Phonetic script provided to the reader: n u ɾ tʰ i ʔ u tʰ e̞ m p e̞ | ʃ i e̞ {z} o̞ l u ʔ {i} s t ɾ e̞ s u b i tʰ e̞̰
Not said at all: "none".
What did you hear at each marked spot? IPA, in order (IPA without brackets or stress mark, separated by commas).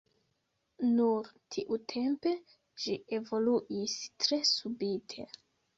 v, i